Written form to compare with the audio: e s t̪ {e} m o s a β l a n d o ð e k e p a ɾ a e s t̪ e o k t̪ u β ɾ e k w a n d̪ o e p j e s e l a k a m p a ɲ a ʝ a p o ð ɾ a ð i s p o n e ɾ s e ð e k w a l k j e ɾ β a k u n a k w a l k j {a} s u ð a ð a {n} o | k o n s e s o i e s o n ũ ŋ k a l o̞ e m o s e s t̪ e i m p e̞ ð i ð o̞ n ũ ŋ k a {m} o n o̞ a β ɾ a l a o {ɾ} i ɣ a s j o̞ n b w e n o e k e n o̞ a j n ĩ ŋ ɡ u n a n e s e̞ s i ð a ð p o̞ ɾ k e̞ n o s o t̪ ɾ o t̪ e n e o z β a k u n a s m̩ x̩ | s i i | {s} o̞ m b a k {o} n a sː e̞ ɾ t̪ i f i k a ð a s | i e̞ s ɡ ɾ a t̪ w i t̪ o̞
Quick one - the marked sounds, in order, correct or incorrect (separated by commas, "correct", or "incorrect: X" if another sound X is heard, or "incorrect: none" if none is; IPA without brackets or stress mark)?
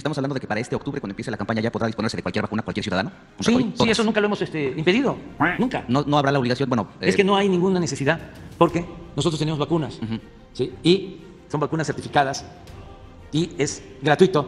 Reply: incorrect: a, incorrect: e, correct, incorrect: n, incorrect: l, correct, incorrect: u